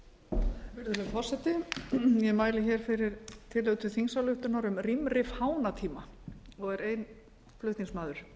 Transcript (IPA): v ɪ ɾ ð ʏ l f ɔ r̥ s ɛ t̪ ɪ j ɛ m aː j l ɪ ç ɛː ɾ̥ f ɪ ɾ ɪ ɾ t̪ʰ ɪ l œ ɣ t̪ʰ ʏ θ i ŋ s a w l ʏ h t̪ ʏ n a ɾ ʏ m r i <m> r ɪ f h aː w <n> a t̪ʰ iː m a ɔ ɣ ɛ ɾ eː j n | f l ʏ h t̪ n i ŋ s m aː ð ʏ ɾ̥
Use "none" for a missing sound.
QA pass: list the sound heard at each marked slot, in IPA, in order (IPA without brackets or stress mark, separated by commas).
m, n